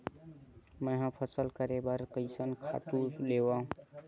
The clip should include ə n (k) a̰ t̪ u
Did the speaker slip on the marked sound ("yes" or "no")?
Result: yes